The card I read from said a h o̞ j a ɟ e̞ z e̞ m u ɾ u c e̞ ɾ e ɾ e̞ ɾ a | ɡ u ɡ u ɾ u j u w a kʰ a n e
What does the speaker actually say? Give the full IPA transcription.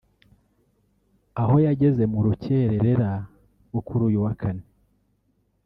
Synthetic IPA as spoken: a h o̞ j a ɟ e̞ z e̞ m u ɾ u c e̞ ɾ e ɾ e̞ ɾ a | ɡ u k u ɾ u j u w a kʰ a n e